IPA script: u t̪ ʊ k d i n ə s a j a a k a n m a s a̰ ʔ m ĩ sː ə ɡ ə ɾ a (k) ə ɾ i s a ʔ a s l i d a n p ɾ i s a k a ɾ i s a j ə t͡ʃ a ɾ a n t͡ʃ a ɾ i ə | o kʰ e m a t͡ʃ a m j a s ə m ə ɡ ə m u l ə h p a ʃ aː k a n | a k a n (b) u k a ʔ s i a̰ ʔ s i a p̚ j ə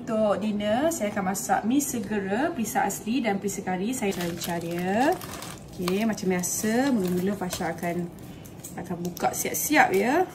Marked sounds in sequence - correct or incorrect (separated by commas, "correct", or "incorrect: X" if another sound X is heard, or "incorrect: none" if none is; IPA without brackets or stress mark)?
incorrect: p, correct